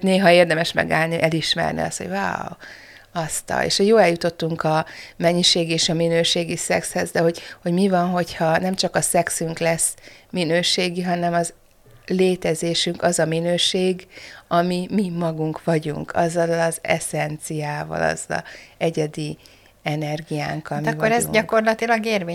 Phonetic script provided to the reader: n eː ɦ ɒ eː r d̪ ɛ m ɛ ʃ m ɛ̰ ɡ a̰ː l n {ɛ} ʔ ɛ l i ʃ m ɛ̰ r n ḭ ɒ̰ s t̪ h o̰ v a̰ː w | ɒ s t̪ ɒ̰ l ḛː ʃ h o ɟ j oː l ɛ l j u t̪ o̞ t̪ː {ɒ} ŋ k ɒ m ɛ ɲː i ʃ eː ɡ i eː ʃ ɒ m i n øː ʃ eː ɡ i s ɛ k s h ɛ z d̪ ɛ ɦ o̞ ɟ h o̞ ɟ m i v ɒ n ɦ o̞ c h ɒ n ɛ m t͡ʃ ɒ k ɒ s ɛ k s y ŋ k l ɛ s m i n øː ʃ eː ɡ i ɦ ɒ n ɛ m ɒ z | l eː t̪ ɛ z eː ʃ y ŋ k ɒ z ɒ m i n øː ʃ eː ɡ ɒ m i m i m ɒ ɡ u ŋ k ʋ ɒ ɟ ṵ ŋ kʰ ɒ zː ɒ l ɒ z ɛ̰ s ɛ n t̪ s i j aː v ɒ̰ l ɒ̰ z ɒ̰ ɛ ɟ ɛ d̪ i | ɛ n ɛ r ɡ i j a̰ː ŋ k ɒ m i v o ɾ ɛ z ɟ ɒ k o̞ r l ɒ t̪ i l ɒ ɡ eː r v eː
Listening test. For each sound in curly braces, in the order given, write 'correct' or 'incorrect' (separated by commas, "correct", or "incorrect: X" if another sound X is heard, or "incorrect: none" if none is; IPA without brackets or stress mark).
incorrect: i, incorrect: u